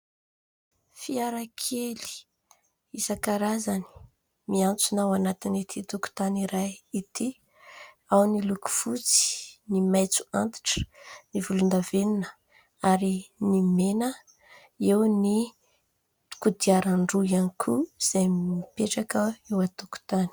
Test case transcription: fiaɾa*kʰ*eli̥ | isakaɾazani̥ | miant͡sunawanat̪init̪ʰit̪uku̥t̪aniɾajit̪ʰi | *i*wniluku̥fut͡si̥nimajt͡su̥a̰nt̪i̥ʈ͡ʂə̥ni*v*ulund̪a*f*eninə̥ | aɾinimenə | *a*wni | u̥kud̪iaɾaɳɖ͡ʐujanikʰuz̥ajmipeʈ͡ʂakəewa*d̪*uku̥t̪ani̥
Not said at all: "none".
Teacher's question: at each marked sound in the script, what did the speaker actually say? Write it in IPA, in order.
kʰ, a, v, v, e, t̪

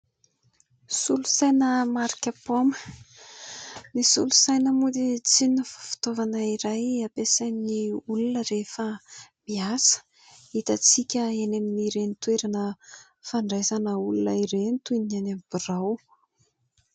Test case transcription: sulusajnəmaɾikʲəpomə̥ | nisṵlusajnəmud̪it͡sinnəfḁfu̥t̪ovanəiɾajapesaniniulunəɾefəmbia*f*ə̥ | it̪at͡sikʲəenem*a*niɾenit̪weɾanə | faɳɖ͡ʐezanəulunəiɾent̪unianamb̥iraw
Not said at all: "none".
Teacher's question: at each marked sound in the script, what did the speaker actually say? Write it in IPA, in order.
s, i

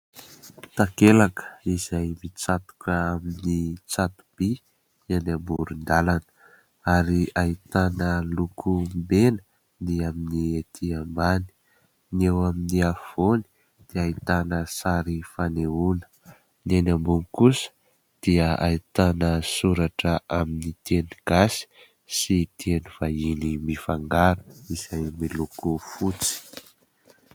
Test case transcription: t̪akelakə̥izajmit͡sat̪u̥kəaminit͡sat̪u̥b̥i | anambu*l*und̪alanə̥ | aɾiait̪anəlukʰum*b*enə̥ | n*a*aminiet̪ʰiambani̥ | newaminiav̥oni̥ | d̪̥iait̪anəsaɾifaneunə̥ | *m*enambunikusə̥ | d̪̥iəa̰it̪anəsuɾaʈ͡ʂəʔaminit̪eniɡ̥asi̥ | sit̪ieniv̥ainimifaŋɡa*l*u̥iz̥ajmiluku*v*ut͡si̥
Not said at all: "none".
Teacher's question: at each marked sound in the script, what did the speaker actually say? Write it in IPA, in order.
ɾ, b, i, n, ɾ, f

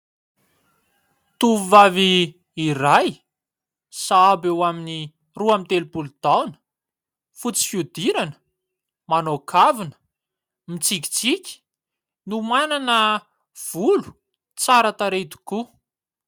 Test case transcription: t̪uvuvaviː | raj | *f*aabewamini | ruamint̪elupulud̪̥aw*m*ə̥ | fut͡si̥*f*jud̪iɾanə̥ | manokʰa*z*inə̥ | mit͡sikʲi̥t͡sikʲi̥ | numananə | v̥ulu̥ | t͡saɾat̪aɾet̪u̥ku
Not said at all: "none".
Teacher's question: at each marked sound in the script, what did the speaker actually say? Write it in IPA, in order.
s, n, f, v

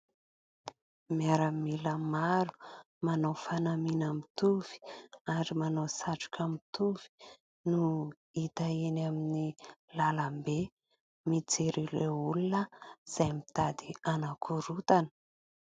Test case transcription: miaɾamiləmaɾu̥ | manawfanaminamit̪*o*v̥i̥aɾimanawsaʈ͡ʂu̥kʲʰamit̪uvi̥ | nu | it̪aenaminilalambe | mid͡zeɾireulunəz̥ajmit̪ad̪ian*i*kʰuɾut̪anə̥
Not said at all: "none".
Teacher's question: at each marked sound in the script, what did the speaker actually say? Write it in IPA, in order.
u, a

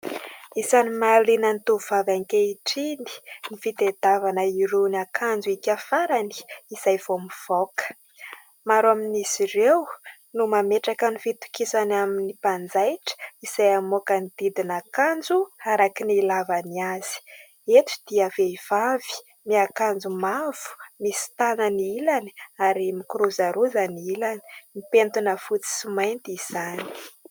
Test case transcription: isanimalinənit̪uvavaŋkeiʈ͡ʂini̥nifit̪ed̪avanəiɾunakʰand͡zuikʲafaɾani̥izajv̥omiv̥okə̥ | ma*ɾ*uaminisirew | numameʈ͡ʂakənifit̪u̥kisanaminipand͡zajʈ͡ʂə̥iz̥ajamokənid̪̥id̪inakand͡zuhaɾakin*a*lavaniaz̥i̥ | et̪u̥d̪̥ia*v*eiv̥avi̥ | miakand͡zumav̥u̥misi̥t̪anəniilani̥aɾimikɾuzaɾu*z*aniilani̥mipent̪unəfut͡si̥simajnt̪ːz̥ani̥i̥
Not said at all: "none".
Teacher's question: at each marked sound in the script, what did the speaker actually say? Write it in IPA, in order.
ɾ, i, v, z

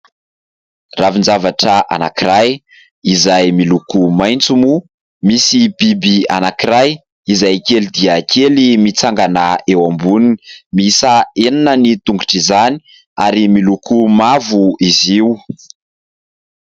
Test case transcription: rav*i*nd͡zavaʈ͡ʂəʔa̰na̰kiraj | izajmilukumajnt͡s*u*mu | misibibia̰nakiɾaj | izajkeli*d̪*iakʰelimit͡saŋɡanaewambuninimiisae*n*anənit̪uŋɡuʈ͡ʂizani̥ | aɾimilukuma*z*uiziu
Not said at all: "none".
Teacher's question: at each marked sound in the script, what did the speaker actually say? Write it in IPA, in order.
i, u, d̪, n, v

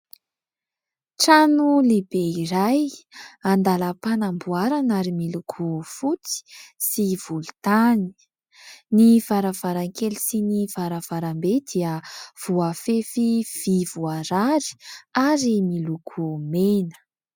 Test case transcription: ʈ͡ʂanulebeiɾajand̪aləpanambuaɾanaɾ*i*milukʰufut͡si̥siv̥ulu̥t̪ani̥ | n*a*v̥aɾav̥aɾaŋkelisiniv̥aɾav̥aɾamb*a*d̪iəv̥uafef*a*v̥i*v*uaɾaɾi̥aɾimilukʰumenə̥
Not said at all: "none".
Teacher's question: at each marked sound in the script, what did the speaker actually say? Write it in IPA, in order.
i, i, e, i, v

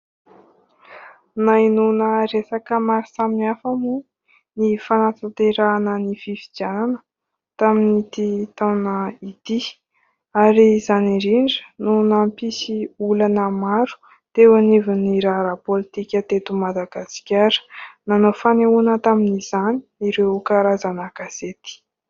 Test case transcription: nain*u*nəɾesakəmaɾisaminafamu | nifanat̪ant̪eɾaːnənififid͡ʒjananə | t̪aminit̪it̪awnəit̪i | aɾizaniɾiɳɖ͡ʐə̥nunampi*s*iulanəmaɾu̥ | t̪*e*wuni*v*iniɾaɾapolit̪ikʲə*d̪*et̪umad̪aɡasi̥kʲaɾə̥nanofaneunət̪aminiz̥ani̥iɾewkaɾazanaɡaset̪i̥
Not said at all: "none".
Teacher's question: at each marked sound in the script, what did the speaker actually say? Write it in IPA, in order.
u, s, e, v, t̪

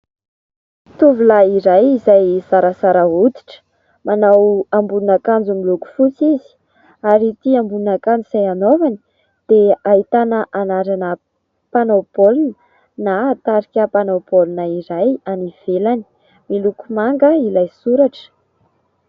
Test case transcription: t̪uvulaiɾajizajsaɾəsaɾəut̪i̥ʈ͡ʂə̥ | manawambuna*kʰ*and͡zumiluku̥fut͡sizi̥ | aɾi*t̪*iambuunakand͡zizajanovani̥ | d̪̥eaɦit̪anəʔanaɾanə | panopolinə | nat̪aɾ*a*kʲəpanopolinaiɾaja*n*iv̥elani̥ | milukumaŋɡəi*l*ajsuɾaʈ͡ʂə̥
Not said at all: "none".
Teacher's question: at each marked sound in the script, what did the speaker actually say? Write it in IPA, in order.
k, t̪, i, n, l

